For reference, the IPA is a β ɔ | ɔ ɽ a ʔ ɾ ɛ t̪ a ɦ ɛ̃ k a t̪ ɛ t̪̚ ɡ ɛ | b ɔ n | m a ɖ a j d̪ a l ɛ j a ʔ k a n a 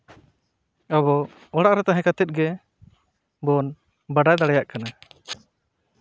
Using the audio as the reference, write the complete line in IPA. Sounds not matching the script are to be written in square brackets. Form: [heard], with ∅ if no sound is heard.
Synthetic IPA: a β ɔ | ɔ ɽ a ʔ ɾ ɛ t̪ a ɦ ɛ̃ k a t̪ ɛ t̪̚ ɡ ɛ | b ɔ n | [b] a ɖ a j d̪ a [ɽ] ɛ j a ʔ k a n a